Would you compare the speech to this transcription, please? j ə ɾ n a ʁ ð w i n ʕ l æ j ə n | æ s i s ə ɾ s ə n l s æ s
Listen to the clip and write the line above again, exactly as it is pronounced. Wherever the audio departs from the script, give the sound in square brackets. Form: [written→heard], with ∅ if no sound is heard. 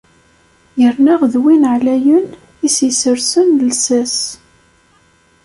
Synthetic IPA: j ə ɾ n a ʁ ð w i n ʕ l æ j ə n | [æ→i] s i s ə ɾ s ə n l s æ s